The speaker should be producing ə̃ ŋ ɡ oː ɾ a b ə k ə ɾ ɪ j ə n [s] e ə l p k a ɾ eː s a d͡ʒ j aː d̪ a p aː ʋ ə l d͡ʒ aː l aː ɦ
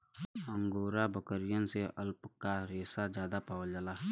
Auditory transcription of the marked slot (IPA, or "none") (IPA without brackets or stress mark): s